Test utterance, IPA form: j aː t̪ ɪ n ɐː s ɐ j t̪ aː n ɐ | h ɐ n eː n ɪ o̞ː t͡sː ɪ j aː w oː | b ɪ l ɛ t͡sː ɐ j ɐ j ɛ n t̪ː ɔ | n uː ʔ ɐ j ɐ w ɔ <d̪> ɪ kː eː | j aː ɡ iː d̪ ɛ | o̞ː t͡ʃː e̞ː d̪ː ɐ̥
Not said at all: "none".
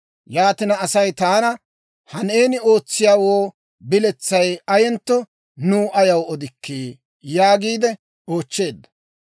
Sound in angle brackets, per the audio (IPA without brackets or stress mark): d̪